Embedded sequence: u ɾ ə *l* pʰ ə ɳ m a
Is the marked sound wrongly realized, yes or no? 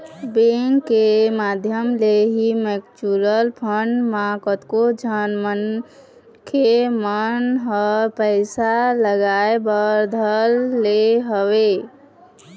no